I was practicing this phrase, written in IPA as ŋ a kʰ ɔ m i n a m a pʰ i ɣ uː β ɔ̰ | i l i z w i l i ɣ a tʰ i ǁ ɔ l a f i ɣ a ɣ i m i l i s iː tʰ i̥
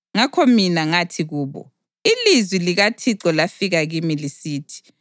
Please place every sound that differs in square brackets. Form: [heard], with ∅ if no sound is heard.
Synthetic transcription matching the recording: ŋ a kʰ ɔ m i n a [ŋ] a [tʰ] i ɣ uː β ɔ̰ | i l i z w i l i ɣ a tʰ i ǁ ɔ l a f i ɣ a ɣ i m i l i s iː tʰ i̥

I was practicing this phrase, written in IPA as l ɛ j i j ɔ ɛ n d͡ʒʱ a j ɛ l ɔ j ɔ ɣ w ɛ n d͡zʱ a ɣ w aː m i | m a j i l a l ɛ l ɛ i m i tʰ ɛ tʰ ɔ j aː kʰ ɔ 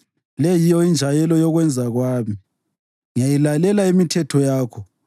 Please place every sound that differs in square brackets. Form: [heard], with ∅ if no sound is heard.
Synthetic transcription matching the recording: l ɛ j i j ɔ [i] n d͡ʒʱ a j ɛ l ɔ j ɔ ɣ w ɛ n d͡zʱ a ɣ w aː m i | [ŋ] a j i l a l ɛ l [a] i m i tʰ ɛ tʰ ɔ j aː kʰ ɔ

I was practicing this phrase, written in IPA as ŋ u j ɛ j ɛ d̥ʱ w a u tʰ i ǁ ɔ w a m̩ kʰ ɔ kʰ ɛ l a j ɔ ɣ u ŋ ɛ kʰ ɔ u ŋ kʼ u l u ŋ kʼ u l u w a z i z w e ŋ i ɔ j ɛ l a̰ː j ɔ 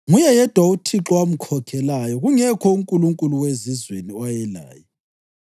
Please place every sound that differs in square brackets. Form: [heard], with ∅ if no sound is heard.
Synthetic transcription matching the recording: ŋ u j ɛ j ɛ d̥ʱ w a u tʰ i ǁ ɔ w a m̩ kʰ ɔ kʰ ɛ l a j ɔ ɣ u ŋ ɛ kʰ ɔ u ŋ kʼ u l u ŋ kʼ u l u w [e] z i z w e [n] i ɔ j ɛ l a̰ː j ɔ

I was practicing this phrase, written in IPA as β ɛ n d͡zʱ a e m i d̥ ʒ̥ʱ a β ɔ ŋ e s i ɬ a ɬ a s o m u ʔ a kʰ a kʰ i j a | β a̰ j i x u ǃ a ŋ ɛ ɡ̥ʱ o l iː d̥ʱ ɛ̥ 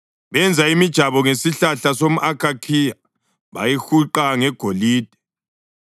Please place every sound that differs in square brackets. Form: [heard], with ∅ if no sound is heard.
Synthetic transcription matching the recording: β ɛ n d͡zʱ a [i] m i d̥ ʒ̥ʱ a β ɔ ŋ e s i ɬ a ɬ a s o m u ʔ a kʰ a kʰ i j a | β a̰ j i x u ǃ a ŋ ɛ ɡ̥ʱ o l iː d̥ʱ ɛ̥

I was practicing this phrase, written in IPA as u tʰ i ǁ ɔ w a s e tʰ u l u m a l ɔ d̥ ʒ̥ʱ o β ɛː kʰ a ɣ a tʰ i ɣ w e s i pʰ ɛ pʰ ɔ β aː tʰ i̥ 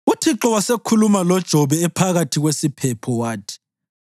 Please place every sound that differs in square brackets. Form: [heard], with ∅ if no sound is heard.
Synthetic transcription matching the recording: u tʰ i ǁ ɔ w a s e [kʰ] u l u m a l ɔ d̥ ʒ̥ʱ [ɔ] β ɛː [pʰ] a ɣ a tʰ i ɣ w e s i pʰ ɛ pʰ ɔ [w] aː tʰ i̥

